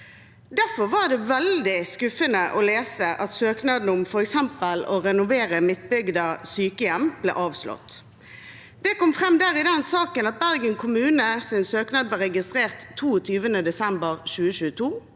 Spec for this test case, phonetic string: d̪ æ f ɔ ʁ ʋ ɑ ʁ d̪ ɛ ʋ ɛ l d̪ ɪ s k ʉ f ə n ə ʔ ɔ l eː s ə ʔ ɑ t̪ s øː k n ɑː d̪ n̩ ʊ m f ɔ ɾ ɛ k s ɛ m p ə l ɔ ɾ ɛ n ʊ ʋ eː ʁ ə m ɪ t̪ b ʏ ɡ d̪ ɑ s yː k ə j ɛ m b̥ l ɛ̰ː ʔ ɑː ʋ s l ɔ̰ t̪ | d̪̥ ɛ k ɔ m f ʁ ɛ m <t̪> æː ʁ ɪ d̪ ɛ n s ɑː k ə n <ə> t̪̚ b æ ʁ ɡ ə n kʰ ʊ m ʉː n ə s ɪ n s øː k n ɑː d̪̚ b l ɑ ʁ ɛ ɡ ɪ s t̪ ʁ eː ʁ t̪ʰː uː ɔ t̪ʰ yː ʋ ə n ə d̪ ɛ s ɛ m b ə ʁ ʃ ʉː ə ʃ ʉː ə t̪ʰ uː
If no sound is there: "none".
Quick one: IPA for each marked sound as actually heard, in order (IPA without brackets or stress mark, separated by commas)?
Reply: d̪, ɑ